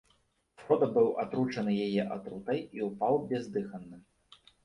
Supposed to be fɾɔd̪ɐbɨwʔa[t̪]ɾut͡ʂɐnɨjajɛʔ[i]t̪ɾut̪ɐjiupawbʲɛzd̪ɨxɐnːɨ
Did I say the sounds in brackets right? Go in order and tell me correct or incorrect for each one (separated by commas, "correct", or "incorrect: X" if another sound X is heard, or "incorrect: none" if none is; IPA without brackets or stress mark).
correct, incorrect: a